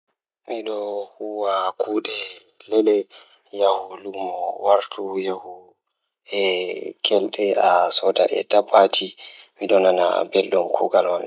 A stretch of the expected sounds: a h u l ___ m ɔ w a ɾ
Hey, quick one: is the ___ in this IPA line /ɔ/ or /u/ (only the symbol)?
u